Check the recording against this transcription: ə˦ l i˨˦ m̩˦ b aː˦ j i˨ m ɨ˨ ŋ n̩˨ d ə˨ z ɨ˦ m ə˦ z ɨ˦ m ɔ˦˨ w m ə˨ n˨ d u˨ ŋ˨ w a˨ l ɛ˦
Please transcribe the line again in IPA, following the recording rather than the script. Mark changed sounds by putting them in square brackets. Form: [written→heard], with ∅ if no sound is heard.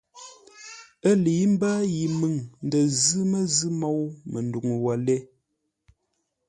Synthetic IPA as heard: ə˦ l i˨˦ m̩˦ b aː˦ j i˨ m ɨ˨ ŋ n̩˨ d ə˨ z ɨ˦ m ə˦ z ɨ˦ m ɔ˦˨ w m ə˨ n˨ d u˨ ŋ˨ w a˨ l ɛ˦